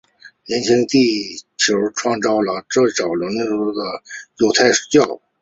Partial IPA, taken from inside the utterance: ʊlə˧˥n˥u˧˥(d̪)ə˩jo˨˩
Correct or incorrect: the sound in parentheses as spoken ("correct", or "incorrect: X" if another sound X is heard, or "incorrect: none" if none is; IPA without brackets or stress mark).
correct